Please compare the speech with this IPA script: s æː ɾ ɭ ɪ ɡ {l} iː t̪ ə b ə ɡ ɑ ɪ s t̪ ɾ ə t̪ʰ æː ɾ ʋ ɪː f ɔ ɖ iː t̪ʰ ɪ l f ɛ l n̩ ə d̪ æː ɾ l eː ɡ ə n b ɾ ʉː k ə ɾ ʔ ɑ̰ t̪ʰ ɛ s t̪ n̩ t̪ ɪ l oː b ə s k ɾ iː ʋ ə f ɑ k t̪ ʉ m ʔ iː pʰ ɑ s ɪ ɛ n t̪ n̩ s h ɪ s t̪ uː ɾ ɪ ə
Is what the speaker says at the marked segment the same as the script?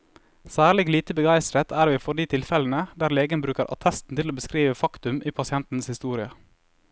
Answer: yes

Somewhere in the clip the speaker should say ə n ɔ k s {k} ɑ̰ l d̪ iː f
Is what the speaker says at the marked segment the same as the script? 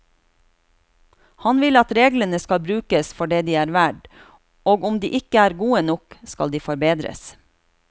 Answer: yes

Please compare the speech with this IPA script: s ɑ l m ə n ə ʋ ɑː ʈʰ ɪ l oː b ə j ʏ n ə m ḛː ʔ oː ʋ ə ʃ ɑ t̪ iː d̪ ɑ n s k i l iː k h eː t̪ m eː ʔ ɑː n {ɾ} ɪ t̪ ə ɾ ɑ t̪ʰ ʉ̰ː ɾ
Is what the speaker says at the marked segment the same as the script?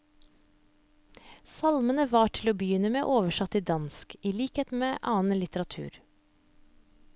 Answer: no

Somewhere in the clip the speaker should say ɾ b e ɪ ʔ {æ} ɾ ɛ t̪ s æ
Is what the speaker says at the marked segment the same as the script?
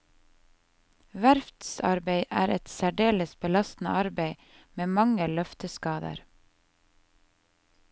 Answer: no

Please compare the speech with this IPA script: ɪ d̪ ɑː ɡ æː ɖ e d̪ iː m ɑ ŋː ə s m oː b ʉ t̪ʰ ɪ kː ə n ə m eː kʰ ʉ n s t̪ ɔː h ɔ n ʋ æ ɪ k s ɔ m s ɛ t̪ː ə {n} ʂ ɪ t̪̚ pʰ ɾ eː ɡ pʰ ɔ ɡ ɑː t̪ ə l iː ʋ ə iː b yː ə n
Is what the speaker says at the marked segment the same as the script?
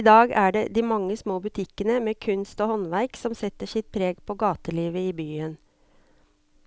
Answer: no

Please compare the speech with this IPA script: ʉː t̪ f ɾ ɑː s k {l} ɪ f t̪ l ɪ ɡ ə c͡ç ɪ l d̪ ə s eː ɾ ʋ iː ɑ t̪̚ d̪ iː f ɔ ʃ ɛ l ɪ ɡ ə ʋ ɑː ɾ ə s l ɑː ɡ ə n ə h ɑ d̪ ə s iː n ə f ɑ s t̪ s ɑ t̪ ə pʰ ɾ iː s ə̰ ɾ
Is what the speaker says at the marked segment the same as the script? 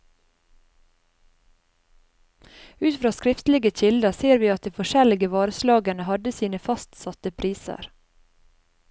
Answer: no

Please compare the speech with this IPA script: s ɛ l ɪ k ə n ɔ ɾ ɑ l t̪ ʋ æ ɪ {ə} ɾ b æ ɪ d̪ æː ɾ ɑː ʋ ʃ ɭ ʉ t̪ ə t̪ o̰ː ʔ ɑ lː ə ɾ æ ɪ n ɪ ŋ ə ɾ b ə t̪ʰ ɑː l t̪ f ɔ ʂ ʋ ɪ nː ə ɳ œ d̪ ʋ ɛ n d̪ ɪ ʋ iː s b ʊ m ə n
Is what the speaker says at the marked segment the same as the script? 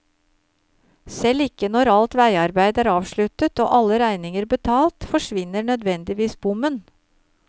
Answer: no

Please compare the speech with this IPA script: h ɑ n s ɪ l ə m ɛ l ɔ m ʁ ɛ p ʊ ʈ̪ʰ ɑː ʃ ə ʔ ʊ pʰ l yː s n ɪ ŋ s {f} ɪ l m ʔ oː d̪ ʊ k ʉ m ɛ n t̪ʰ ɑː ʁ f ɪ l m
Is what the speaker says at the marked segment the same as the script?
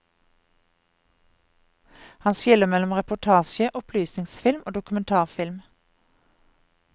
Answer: yes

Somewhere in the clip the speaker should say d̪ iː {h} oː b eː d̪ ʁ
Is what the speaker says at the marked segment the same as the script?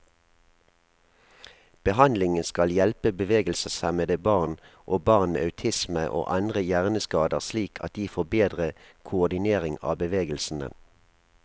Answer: no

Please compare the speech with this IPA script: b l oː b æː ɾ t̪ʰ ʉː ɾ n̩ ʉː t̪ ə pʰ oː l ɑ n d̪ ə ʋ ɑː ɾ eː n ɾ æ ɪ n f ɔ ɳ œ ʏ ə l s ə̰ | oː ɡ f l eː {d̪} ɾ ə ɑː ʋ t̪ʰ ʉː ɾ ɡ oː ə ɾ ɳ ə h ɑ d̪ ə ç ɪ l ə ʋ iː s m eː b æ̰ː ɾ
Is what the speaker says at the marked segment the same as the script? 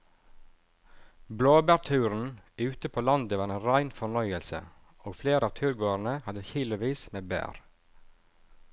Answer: no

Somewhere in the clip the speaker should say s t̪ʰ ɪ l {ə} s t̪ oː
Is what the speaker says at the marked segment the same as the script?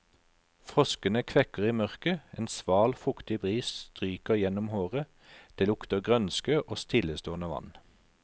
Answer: yes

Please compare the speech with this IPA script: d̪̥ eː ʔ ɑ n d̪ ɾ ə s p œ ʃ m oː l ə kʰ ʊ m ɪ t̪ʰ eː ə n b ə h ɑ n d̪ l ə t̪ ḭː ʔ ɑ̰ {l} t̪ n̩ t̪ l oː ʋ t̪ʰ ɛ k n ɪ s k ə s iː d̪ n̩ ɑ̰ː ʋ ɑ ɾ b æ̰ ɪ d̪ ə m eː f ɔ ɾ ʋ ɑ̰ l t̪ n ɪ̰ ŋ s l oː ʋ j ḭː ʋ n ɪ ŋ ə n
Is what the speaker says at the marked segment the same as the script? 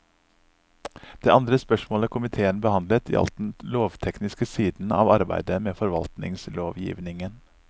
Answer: yes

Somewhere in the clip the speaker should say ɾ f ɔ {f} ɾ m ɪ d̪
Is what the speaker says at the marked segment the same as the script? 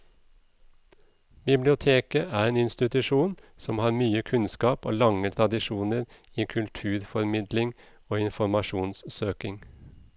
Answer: no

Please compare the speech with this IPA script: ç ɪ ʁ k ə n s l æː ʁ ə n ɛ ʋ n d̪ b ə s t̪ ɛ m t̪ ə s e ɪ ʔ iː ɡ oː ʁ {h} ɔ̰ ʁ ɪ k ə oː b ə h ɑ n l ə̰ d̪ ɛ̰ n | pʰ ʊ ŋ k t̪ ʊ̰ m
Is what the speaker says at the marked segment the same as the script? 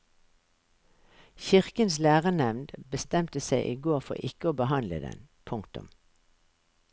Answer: no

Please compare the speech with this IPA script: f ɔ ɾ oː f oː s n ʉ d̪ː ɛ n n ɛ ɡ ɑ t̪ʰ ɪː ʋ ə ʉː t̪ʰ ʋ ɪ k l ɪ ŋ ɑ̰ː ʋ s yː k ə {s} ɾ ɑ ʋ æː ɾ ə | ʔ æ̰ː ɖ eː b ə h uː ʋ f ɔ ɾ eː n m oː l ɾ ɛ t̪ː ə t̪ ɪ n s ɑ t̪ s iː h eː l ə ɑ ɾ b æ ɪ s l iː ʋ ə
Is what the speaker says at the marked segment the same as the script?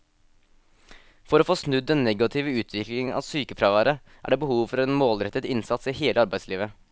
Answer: no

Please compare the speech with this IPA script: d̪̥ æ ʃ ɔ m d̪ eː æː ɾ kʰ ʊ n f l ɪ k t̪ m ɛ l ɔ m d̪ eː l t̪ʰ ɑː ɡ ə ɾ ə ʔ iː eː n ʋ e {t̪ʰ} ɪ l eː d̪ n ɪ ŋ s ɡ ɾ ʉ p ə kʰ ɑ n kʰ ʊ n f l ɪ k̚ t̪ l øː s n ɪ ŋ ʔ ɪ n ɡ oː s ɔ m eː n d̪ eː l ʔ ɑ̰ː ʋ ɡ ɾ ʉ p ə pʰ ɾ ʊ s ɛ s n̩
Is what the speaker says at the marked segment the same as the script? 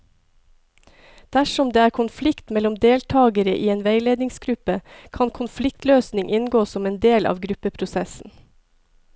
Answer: no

